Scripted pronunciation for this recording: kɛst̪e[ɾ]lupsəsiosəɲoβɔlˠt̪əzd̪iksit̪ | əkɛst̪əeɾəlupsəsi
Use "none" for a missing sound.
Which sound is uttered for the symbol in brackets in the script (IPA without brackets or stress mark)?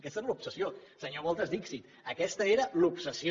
ɾ